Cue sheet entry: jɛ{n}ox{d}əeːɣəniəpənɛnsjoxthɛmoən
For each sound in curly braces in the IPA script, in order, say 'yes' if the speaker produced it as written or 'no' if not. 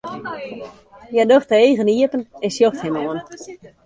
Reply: no, no

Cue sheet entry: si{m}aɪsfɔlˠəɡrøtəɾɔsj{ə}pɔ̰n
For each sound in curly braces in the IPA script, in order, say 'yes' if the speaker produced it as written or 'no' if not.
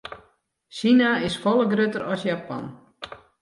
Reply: no, no

